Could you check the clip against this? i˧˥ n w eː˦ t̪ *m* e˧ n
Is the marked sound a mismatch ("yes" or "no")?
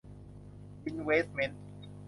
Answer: no